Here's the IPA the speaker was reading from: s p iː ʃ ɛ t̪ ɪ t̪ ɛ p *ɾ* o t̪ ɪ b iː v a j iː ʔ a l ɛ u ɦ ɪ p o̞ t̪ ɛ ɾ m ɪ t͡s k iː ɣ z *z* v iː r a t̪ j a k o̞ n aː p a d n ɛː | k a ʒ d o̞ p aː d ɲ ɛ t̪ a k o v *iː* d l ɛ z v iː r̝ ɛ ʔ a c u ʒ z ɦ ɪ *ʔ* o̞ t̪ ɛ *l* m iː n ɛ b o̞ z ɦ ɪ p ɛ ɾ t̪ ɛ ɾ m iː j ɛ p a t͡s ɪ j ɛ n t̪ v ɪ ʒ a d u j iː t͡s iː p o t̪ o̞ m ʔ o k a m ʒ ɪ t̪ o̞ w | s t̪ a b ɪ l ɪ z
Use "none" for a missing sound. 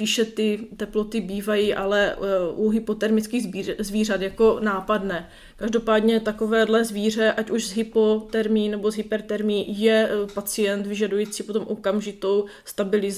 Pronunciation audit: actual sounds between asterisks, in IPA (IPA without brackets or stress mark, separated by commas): l, z, ɛː, p, ɾ